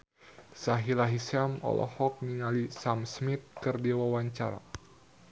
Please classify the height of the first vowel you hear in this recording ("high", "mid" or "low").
low